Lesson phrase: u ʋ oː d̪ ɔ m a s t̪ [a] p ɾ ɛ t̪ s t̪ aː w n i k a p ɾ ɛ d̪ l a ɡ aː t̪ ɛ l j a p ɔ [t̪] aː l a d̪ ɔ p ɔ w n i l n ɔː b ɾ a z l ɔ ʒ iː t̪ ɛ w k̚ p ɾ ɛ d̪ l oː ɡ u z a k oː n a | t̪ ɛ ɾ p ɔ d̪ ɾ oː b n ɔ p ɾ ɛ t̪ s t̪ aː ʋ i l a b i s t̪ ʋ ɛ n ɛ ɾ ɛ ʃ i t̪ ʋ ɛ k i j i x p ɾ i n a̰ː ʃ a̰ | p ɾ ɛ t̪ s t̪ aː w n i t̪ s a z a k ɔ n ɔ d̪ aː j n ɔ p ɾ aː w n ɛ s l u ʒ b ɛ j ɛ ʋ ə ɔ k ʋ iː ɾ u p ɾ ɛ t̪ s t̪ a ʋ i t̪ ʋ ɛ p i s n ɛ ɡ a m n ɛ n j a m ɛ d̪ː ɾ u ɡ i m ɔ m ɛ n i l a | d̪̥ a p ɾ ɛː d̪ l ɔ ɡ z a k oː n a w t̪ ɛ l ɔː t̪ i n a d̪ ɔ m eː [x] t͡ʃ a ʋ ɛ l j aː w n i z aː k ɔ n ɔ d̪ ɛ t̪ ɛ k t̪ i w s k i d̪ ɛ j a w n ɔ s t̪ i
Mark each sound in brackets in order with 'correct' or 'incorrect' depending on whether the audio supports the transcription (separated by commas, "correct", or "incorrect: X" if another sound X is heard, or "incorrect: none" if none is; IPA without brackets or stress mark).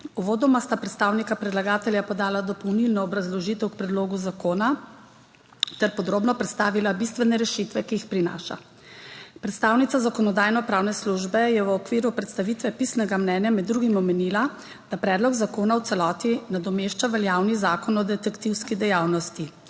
correct, incorrect: d̪, incorrect: ʃ